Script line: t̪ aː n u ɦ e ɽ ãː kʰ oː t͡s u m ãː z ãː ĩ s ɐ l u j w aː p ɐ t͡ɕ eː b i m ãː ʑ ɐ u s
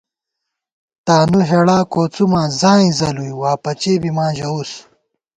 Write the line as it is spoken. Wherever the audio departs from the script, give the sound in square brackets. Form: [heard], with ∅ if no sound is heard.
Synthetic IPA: t̪ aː n u ɦ e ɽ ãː [k] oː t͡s u m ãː z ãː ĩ [z] ɐ l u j w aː p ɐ t͡ɕ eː b i m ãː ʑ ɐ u s